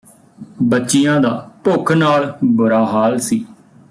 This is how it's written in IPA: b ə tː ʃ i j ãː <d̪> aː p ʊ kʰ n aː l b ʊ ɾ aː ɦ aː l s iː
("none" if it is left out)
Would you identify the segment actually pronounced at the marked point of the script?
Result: d̪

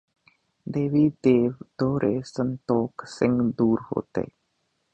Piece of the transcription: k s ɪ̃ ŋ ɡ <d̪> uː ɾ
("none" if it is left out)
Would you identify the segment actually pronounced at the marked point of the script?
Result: d̪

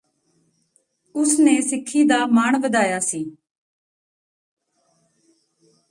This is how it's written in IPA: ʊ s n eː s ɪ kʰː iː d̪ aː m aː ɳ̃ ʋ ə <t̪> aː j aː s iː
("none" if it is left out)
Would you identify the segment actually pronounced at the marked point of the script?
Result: d̪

